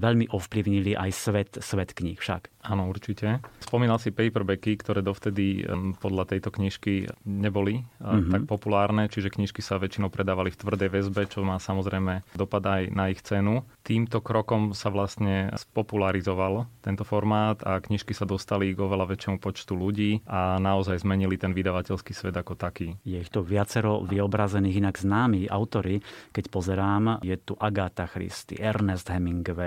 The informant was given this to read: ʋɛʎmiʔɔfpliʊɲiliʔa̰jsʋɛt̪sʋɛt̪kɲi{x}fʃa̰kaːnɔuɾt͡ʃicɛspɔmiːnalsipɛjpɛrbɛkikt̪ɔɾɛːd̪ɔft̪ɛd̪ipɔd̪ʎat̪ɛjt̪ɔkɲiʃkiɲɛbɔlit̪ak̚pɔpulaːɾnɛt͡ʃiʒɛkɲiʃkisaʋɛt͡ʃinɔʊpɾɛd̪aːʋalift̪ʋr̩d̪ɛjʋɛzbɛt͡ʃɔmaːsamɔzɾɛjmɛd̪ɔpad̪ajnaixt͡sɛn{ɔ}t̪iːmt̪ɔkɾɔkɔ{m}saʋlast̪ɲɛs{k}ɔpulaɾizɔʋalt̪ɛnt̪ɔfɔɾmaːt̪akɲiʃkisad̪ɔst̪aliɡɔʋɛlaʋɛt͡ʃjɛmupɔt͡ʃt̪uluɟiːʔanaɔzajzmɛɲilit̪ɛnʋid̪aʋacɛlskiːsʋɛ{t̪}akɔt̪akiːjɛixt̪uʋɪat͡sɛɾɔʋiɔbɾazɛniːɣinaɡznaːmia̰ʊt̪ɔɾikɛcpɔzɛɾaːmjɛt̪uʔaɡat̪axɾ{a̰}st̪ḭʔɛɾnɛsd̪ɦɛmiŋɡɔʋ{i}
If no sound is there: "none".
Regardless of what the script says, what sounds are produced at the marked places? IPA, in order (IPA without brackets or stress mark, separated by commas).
x, u, m, p, d̪, ḭ, ɛ